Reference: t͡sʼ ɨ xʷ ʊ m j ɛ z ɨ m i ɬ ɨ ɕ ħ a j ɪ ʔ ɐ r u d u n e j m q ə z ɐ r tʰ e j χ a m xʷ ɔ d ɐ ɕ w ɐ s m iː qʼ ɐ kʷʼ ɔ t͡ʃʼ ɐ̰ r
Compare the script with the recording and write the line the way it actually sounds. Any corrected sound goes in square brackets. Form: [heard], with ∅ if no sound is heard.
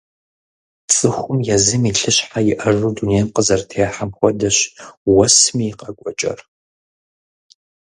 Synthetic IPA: t͡sʼ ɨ xʷ ʊ m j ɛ z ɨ m i ɬ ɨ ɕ ħ a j ɪ ʔ ɐ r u d u n e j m q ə z ɐ r tʰ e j [ħ] a m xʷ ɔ d ɐ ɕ w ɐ s m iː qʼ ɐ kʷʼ ɔ t͡ʃʼ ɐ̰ r